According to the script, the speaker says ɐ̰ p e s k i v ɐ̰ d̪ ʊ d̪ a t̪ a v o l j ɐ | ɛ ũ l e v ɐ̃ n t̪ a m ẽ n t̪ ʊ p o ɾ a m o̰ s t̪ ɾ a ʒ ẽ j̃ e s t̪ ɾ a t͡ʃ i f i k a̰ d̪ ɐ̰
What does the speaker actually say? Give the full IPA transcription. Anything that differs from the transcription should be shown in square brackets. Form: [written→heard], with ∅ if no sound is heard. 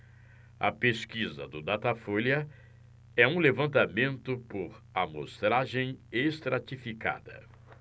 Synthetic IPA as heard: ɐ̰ p e s k i [v→z] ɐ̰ d̪ ʊ d̪ a t̪ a [v→f] o l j ɐ | ɛ ũ l e v ɐ̃ n t̪ a m ẽ n t̪ ʊ p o ɾ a m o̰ s t̪ ɾ a ʒ ẽ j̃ e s t̪ ɾ a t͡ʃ i f i k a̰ d̪ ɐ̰

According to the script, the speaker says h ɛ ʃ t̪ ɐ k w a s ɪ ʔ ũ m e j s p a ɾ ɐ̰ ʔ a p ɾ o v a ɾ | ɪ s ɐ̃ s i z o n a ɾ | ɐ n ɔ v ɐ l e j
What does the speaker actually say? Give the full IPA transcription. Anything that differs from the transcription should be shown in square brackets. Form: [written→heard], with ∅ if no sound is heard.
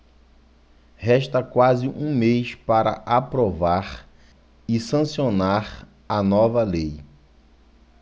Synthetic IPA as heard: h ɛ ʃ t̪ ɐ k w a [s→z] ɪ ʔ ũ m e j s p a ɾ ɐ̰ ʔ a p ɾ o v a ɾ | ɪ s ɐ̃ s i [z→∅] o n a ɾ | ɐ n ɔ v ɐ l e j

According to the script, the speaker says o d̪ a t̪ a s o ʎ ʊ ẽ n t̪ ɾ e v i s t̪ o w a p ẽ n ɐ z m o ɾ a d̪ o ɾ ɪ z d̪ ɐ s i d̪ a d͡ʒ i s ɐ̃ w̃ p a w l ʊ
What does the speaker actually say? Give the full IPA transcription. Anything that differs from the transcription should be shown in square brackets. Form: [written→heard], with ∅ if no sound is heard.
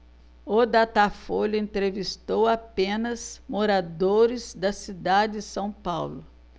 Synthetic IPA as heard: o d̪ a t̪ a [s→f] o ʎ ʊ ẽ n t̪ ɾ e v i s t̪ o w a p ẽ n ɐ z m o ɾ a d̪ o ɾ ɪ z d̪ ɐ s i d̪ a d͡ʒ [i→ɪ] s ɐ̃ w̃ p a w l ʊ

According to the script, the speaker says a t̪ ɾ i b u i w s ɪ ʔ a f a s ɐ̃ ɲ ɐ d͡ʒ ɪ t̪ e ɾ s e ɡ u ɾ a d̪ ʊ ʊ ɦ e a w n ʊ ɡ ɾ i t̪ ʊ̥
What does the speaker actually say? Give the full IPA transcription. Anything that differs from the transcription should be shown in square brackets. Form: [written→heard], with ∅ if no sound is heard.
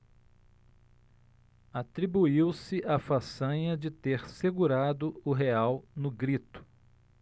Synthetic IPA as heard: a t̪ ɾ i b u i w s ɪ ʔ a f a s ɐ̃ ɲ ɐ d͡ʒ ɪ t̪ e ɾ s e ɡ u ɾ a d̪ ʊ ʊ ɦ e a w n ʊ ɡ ɾ i t̪ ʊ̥

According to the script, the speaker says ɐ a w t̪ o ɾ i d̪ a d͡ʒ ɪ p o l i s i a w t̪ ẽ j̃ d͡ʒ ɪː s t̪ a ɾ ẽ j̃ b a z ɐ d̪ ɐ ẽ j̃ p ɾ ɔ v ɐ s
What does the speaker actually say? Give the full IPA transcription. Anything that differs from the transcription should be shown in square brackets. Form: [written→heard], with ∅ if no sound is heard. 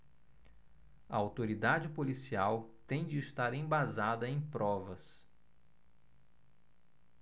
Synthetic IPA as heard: ɐ a w t̪ o ɾ i d̪ a d͡ʒ ɪ p o l i s i a w t̪ ẽ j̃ d͡ʒ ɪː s t̪ a ɾ ẽ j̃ b a z [ɐ→a] d̪ ɐ ẽ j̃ p ɾ ɔ v ɐ s

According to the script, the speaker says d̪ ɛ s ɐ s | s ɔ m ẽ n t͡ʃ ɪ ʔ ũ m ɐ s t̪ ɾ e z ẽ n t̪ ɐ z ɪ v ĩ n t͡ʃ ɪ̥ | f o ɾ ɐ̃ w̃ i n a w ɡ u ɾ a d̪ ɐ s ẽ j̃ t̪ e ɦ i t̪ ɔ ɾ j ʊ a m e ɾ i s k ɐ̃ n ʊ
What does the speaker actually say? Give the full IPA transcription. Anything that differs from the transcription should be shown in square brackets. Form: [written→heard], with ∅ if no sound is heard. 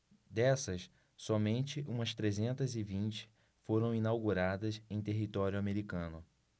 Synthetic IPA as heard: d̪ ɛ s ɐ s | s ɔ m ẽ n t͡ʃ ɪ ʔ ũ m ɐ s t̪ ɾ e z ẽ n t̪ ɐ z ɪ v ĩ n t͡ʃ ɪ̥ | f o ɾ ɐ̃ w̃ i n a w ɡ u ɾ a d̪ ɐ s ẽ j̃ t̪ e ɦ i t̪ ɔ ɾ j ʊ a m e ɾ i [s→∅] k ɐ̃ n ʊ

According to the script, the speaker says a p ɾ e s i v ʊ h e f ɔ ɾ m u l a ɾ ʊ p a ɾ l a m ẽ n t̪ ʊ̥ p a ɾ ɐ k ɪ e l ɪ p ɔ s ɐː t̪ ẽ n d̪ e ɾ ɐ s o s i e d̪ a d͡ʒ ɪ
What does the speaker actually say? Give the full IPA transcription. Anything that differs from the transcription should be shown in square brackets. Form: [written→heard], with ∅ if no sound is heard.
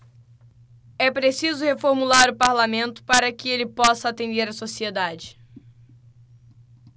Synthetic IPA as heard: [a→ɛ] p ɾ e s i [v→z] ʊ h e f [ɔ→o] ɾ m u l a ɾ ʊ p a ɾ l a m ẽ n t̪ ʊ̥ p a ɾ ɐ k ɪ e l ɪ p ɔ s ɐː t̪ ẽ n d̪ e ɾ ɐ s o s i e d̪ a d͡ʒ ɪ

